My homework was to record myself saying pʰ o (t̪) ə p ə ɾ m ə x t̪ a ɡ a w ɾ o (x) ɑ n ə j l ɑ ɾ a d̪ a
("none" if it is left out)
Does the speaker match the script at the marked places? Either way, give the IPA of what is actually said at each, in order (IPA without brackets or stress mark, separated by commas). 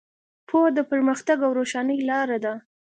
d̪, ʃ